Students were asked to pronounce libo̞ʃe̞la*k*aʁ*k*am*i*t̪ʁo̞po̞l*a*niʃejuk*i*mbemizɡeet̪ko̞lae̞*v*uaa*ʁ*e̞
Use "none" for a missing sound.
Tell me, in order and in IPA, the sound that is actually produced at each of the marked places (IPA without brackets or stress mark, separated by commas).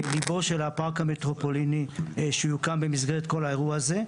p, k, e, i, a, ʁ, z